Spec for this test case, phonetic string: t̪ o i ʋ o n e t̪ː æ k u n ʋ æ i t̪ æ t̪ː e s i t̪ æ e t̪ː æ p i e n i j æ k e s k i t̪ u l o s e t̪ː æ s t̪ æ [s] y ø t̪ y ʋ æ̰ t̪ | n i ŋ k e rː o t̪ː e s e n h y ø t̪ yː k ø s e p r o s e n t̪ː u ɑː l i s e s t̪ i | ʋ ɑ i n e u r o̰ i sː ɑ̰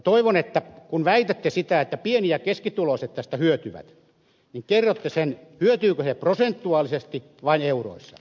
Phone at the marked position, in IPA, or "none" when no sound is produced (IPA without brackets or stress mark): h